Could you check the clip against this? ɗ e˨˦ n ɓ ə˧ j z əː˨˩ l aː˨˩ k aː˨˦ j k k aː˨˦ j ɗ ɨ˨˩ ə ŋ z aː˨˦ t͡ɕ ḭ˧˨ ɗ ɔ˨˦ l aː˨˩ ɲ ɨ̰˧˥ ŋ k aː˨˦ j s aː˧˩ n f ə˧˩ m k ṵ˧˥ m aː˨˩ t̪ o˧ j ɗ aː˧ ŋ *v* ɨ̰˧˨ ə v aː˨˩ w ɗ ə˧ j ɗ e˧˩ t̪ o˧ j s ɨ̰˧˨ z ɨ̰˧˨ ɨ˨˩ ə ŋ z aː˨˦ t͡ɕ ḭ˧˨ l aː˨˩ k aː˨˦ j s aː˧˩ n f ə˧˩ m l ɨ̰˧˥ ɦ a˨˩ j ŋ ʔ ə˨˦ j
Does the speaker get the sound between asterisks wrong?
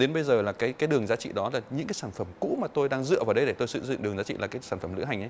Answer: yes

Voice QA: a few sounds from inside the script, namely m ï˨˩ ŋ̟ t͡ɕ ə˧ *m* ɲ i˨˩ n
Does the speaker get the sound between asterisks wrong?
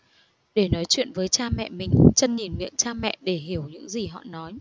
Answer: yes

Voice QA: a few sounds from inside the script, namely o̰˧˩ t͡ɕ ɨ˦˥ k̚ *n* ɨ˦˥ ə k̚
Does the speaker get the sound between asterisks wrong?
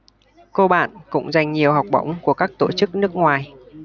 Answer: no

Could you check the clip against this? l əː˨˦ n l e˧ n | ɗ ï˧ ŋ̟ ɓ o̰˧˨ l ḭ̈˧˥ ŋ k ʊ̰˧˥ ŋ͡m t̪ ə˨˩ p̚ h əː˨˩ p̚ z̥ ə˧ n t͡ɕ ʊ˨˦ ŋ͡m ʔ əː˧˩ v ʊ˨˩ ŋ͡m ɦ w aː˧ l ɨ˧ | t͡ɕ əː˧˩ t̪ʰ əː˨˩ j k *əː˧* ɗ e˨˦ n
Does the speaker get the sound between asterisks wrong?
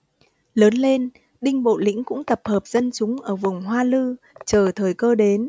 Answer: no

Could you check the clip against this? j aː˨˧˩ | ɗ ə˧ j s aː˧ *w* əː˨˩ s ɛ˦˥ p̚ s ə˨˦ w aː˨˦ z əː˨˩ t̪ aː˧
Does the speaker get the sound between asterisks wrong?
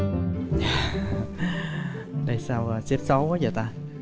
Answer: no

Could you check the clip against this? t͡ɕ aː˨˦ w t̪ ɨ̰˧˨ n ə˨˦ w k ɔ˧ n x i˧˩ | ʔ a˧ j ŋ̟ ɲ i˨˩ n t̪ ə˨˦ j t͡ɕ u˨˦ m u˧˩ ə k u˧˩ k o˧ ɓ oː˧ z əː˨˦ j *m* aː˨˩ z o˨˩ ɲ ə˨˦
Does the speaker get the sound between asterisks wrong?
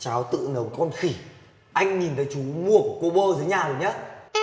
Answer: yes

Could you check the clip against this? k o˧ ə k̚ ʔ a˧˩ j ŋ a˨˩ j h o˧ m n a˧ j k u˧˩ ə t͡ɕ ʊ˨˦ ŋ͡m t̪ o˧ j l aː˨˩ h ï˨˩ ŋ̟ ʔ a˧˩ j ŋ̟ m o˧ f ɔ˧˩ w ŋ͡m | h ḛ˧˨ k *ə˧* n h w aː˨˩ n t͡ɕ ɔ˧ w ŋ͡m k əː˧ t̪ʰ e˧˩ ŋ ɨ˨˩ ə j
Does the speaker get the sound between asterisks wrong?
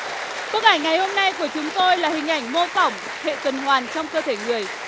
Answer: yes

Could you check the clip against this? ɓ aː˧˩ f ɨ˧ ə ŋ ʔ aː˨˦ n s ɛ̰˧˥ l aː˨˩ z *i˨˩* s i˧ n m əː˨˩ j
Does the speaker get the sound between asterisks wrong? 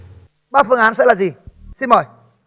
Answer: no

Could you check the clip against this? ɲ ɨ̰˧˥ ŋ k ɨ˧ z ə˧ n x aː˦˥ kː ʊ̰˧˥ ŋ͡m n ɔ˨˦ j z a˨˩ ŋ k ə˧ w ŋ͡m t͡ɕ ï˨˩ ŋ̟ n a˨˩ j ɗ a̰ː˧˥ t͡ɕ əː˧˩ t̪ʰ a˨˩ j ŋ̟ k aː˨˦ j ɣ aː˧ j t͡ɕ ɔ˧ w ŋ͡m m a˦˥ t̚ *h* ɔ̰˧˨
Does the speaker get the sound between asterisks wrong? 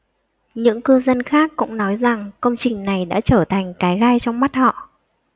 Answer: no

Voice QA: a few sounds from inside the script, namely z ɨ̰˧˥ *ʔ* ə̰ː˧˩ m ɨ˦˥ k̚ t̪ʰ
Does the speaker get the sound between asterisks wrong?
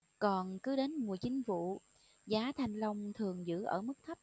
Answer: no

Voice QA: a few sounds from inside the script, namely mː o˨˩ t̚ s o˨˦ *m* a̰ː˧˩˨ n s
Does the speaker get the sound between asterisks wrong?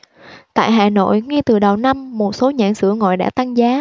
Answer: yes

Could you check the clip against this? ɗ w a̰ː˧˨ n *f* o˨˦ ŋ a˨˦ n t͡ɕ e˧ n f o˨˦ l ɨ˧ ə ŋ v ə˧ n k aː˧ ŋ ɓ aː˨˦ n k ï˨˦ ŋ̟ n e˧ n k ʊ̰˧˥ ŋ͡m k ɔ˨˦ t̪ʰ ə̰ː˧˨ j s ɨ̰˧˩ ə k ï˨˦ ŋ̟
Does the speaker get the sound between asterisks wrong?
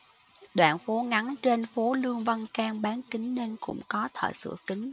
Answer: no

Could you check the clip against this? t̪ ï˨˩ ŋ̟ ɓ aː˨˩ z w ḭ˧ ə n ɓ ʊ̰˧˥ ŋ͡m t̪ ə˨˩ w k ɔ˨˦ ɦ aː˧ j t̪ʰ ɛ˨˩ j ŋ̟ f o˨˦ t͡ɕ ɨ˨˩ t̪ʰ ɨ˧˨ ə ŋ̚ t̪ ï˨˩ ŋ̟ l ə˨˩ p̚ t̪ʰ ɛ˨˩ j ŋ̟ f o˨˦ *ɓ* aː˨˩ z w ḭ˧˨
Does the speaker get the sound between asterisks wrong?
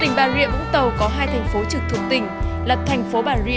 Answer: no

